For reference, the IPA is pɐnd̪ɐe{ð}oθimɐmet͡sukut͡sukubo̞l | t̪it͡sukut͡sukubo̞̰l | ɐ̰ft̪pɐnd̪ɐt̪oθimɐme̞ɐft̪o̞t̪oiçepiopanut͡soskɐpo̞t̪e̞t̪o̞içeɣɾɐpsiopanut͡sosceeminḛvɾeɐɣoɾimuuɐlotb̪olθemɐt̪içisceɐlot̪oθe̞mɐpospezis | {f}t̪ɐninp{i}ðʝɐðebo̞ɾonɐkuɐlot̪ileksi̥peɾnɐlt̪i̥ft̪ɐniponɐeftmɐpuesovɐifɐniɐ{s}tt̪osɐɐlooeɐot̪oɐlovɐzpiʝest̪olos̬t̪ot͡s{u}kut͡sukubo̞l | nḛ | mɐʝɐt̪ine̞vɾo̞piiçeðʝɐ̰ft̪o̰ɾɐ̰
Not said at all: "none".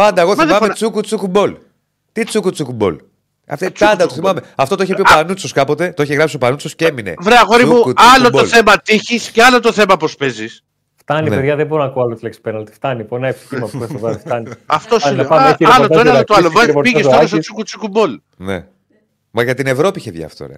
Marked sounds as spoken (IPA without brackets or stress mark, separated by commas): ɣ, f, e, f, u